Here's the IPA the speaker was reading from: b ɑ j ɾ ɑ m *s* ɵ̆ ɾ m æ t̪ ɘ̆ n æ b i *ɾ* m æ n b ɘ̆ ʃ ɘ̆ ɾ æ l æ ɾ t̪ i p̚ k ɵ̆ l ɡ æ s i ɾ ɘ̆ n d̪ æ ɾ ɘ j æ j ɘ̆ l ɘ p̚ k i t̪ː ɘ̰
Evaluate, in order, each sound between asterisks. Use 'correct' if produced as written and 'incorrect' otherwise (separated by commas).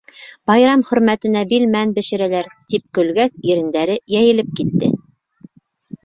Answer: incorrect, incorrect